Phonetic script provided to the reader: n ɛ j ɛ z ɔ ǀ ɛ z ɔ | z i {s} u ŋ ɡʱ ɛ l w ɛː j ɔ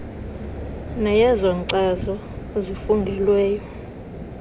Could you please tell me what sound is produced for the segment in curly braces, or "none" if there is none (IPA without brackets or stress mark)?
f